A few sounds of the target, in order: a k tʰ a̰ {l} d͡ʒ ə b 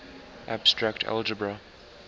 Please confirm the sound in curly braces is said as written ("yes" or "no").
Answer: yes